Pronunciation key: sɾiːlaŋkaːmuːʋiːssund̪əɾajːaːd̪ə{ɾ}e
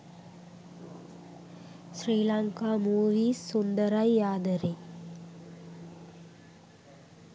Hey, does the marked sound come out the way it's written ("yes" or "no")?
yes